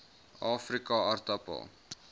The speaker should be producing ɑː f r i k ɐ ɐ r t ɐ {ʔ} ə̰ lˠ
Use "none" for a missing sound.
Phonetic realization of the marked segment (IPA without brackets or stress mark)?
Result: p